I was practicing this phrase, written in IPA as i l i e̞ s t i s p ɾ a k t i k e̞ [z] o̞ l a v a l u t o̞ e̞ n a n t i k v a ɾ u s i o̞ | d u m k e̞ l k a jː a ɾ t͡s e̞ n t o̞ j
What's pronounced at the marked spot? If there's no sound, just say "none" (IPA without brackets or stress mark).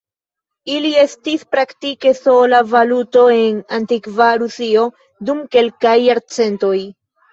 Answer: s